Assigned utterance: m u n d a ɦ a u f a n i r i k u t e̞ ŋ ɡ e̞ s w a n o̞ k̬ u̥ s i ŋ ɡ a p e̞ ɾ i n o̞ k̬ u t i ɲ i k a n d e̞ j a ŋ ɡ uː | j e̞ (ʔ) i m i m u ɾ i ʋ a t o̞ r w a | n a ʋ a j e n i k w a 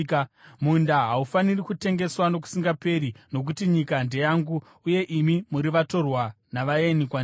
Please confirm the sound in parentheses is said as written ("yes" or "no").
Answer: yes